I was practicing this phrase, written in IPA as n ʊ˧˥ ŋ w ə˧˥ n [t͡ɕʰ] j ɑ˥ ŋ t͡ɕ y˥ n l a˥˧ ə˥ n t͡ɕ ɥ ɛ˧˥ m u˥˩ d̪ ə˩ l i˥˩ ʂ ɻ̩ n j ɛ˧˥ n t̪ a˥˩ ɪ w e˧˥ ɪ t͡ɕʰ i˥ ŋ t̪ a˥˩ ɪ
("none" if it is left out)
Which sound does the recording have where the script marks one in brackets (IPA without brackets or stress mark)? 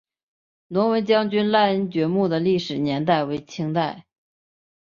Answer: t͡ɕ